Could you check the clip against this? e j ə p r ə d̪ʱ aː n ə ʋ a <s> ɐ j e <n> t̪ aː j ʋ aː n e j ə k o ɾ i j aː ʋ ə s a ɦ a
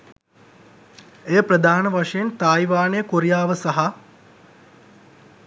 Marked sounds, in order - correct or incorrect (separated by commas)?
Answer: incorrect, correct